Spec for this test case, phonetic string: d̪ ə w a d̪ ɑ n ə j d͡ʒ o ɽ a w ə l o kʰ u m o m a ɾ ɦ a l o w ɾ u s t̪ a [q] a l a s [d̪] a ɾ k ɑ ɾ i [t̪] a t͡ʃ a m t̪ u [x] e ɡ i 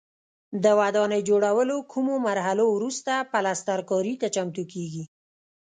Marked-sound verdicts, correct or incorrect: incorrect: p, incorrect: t̪, correct, incorrect: k

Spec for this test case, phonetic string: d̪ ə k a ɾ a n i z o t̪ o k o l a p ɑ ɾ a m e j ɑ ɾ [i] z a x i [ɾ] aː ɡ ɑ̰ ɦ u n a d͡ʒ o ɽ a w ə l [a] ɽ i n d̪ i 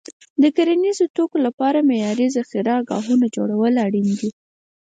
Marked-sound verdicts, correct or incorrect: correct, correct, correct

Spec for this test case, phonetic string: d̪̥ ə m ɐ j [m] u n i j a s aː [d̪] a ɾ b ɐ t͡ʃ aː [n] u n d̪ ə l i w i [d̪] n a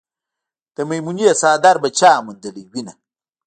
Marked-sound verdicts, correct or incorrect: correct, correct, incorrect: m, incorrect: none

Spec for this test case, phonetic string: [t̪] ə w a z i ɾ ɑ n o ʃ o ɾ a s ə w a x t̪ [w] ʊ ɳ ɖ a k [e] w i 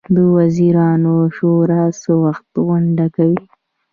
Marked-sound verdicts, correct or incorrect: incorrect: d̪, incorrect: ɣ, incorrect: a

